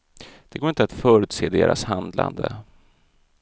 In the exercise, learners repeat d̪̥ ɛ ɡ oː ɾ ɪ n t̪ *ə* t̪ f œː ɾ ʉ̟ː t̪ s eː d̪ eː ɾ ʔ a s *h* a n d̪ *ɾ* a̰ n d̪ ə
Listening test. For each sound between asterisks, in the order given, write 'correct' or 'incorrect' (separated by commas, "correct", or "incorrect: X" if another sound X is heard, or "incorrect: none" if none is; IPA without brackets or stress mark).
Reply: incorrect: a, correct, incorrect: l